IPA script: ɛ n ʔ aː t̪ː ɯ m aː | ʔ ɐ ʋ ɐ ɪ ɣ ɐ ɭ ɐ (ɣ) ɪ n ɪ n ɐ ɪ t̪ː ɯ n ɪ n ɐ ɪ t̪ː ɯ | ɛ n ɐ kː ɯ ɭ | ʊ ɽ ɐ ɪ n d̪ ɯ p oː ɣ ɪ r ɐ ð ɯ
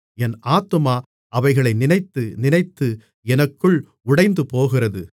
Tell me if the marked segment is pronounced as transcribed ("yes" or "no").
no